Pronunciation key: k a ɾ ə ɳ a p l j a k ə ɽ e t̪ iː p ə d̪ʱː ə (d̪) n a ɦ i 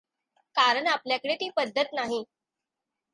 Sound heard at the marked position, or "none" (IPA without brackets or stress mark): t̪